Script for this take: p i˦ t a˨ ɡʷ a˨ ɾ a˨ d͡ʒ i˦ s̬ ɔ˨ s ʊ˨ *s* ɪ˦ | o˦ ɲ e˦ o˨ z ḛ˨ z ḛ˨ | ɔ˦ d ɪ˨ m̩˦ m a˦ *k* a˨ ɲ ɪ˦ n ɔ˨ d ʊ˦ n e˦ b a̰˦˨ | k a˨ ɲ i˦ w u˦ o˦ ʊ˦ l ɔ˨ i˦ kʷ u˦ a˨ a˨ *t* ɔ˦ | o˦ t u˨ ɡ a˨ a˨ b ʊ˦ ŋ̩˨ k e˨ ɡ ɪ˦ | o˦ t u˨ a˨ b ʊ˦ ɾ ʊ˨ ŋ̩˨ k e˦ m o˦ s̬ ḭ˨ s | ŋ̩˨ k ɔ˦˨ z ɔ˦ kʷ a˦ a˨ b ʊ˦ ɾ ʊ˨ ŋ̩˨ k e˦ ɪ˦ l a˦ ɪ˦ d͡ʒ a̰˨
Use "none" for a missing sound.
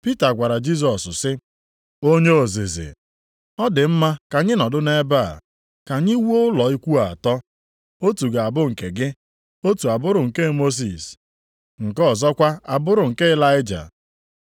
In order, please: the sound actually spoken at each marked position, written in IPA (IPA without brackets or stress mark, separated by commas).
s, k, t